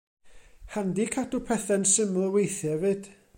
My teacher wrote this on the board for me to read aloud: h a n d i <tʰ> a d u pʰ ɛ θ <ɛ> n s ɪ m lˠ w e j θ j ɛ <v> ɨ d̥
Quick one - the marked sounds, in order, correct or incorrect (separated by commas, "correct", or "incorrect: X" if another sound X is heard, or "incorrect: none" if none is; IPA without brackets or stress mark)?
incorrect: kʰ, correct, correct